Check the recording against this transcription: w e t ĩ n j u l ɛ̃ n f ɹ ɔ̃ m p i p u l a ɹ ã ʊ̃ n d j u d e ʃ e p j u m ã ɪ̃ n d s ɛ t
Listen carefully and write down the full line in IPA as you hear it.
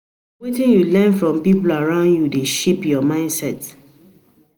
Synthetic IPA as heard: w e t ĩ n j u l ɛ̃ n f ɹ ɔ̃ m p i p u l a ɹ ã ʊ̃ n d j u d e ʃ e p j ɔ m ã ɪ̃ n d s ɛ t